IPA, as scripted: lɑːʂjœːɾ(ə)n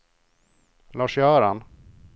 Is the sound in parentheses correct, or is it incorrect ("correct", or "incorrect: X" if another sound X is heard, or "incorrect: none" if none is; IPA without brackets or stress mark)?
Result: incorrect: a